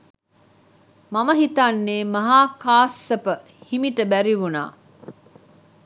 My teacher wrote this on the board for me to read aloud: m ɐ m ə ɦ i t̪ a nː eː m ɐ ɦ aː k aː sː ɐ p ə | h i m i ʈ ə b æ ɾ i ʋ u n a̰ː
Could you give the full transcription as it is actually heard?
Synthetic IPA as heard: m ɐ m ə ɦ i t̪ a nː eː m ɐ ɦ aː k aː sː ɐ p ə | h i m i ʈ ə b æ ɾ i ʋ u n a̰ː